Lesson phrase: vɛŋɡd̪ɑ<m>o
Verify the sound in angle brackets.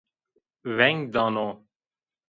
incorrect: n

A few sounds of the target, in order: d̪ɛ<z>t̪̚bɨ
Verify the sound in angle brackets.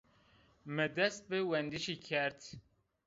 incorrect: s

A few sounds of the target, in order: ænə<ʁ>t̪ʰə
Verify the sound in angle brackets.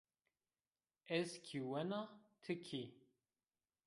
correct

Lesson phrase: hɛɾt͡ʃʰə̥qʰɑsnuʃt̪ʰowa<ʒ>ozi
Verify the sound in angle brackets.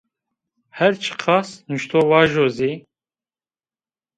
correct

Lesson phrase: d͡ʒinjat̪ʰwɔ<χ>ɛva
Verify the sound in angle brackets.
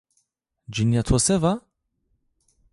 incorrect: s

